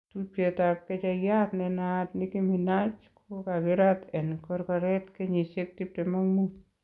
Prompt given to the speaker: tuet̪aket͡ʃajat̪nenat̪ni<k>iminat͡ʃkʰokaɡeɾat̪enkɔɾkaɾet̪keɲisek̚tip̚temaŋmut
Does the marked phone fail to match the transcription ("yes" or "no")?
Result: no